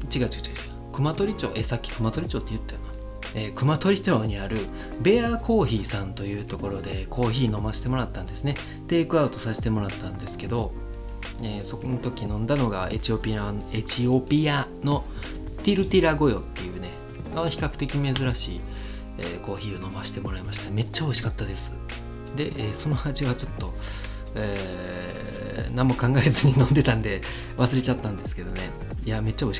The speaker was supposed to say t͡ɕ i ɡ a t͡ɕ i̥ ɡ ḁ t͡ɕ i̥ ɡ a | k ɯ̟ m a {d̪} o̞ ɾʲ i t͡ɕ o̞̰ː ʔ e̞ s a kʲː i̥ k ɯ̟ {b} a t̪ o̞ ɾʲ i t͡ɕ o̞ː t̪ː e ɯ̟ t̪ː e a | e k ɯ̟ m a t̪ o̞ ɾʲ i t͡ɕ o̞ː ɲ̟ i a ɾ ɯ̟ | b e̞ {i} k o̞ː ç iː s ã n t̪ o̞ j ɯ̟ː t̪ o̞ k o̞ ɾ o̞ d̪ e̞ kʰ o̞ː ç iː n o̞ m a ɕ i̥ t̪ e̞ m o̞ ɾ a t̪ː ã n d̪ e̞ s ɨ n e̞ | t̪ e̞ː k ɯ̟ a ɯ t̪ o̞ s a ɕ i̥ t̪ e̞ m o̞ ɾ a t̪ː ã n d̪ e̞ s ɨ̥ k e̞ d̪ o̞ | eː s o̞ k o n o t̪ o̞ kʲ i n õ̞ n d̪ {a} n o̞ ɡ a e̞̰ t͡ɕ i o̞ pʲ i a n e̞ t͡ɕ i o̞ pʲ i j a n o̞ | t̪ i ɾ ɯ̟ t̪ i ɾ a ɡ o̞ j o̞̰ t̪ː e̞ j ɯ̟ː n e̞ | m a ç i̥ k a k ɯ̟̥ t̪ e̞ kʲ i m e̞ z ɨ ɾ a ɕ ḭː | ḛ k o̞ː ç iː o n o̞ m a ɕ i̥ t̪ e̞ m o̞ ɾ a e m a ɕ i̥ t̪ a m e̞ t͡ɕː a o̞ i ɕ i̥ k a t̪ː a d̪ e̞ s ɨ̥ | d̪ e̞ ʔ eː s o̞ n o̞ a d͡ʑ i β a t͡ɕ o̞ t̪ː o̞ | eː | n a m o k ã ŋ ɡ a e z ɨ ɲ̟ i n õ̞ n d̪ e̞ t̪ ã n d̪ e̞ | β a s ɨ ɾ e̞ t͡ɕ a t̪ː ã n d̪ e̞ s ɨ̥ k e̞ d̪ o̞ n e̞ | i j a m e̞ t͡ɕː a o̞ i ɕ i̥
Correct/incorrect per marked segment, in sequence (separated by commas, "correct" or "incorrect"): incorrect, incorrect, incorrect, correct